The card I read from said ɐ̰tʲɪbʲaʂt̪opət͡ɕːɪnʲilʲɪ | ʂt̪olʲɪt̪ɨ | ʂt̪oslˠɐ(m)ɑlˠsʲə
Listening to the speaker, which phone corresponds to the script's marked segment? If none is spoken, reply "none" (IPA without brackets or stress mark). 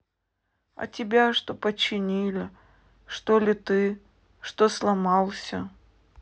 m